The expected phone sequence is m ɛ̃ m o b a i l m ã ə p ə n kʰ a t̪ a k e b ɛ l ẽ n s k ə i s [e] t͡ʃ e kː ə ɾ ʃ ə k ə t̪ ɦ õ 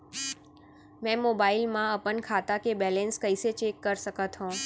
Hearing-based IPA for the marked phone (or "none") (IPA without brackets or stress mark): e